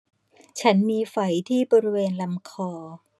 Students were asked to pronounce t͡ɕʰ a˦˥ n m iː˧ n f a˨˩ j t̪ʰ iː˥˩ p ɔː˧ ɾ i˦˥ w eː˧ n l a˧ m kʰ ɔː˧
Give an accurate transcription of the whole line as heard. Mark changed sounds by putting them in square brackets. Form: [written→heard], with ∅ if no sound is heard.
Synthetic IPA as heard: t͡ɕʰ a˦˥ n m iː˧ [n→∅] f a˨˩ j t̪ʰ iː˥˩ [p→b] ɔː˧ ɾ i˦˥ w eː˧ n l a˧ m kʰ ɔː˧